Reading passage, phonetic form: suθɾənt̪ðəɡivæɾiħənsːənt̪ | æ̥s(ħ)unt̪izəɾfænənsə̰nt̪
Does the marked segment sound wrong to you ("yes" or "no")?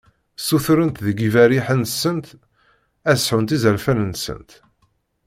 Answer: no